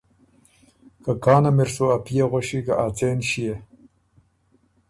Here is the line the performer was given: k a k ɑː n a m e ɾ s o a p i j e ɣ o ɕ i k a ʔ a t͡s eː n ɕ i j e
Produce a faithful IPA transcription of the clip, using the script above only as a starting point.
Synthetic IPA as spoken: k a k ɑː n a m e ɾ s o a p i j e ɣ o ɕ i k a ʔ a t͡s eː n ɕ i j e